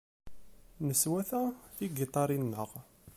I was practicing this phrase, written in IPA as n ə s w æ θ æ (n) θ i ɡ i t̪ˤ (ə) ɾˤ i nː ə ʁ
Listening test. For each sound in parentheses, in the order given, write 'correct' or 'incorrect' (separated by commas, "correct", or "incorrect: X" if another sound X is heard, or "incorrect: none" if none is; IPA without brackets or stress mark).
incorrect: none, incorrect: ɑ